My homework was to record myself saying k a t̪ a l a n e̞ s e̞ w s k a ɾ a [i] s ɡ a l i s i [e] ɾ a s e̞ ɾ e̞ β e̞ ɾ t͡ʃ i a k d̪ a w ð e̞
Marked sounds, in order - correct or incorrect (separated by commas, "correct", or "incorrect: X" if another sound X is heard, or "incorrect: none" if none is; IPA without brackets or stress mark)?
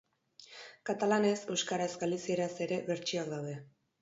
incorrect: e, correct